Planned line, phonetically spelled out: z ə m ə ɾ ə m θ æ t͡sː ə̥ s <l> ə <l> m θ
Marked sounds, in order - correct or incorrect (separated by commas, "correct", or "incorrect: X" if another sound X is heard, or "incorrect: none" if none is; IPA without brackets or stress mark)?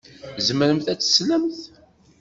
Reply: correct, incorrect: none